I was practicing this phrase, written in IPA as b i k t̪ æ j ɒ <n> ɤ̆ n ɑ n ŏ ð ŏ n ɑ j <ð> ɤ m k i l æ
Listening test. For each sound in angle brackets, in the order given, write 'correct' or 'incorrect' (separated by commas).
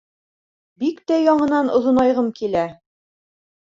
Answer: incorrect, incorrect